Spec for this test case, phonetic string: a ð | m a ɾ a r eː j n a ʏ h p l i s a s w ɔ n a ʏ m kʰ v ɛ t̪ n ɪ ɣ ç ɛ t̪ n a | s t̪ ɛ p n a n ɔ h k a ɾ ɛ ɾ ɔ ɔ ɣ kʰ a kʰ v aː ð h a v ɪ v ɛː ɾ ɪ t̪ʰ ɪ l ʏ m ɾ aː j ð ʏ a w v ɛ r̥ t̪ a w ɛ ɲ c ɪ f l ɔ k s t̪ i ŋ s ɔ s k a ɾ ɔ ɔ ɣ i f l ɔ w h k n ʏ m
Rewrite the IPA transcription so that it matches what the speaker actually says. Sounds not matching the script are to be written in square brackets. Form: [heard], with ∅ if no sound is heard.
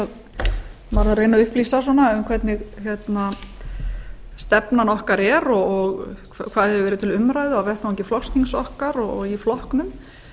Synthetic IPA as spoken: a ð | m a ɾ a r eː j n a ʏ h p l i s a s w ɔ n a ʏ m kʰ v ɛ t̪ n ɪ ɣ ç ɛ t̪ n a | s t̪ ɛ p n a n ɔ h k a ɾ ɛ ɾ ɔ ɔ ɣ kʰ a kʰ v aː ð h [ɛ] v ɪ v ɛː ɾ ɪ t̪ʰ ɪ l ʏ m ɾ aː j ð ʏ a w v ɛ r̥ t̪ a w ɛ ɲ c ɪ f l ɔ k s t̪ i ŋ s ɔ [h] k a ɾ ɔ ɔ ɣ i f l ɔ [∅] h k n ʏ m